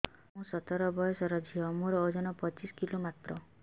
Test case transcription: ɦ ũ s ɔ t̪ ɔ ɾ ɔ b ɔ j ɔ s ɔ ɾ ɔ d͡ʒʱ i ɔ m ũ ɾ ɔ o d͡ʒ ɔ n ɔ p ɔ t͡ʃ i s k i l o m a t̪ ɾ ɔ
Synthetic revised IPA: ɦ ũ s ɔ t̪ ɔ ɾ ɔ b ɔ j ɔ s ɔ ɾ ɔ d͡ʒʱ i ɔ m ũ ɾ ɔ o d͡ʒ ɔ n ɔ p ɔ t͡ʃ i s k i l o m a t̪ ɾ ɔ